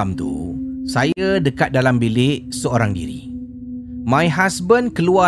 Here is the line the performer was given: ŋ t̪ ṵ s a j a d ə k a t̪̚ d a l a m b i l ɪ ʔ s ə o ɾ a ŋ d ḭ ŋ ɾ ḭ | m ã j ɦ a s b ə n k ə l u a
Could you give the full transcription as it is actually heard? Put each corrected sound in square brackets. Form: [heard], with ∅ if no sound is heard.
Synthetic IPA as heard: [m] t̪ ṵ s a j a d ə k a t̪̚ d a l a m b i l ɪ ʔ s ə o ɾ a ŋ d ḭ [∅] ɾ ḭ | m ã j ɦ a s b ə n k ə l u a